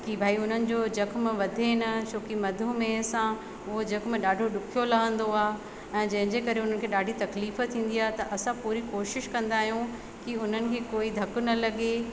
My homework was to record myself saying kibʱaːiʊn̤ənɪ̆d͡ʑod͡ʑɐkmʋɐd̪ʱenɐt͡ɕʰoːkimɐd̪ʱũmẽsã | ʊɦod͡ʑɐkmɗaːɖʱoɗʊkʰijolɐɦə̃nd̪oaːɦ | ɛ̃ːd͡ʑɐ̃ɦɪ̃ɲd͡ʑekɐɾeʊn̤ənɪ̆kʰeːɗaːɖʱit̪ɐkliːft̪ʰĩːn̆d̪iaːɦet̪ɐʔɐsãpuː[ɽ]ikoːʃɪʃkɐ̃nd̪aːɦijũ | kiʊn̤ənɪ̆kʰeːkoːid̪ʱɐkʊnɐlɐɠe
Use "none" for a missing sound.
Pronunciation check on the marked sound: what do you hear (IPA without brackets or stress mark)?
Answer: ɾ